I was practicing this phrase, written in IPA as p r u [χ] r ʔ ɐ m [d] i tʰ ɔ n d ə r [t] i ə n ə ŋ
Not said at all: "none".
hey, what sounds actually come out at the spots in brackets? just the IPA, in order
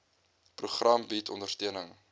χ, b, t

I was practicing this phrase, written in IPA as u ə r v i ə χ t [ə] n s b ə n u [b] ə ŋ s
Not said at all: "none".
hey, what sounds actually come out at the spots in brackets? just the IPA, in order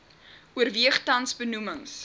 ɐ, m

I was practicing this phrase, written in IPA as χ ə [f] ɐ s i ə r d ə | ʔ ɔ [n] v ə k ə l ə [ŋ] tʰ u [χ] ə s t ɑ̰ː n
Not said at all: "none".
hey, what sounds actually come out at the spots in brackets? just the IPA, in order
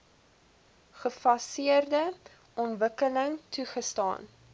f, n, ŋ, χ

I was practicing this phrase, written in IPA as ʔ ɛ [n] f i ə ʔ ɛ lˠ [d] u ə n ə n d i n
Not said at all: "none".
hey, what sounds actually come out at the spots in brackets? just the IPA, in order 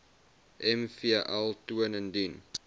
m, t

